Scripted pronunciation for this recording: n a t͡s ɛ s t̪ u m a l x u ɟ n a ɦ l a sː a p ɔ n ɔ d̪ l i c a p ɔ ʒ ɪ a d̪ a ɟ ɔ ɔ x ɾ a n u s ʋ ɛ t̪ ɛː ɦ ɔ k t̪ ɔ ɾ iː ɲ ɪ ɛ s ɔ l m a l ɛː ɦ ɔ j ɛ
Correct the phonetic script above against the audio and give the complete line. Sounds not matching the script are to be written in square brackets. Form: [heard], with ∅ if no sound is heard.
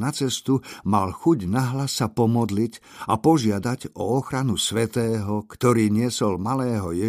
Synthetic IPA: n a t͡s ɛ s t̪ u m a l x u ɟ n a ɦ l a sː a p ɔ [m] ɔ d̪ l i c a p ɔ ʒ ɪ a d̪ a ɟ ɔ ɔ x ɾ a n u s ʋ ɛ t̪ ɛː ɦ ɔ k t̪ ɔ ɾ iː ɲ ɪ ɛ s ɔ l m a l ɛː ɦ ɔ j ɛ